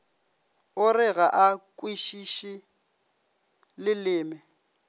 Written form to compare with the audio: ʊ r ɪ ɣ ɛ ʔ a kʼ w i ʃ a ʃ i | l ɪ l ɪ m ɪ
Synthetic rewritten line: ʊ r ɪ ɣ a ʔ a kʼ w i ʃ i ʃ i | l ɪ l ɪː m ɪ